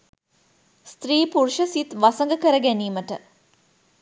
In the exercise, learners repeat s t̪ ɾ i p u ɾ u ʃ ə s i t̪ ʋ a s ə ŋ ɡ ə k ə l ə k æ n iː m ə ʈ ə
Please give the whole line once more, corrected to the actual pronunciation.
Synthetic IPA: s t̪ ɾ iː p u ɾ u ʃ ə s i t̪ ʋ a s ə ŋ ɡ ə k ə ɾ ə ɡ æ n iː m ə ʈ ə